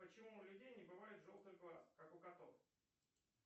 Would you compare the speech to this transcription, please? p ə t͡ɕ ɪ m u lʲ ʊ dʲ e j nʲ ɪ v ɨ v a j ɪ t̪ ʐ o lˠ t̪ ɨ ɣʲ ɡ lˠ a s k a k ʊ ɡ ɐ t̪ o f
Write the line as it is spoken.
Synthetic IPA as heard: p ə t͡ɕ ɪ m u lʲ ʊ dʲ e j nʲ ɪ b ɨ v a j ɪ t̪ ʐ o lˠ t̪ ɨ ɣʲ ɡ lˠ a s k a k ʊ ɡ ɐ t̪ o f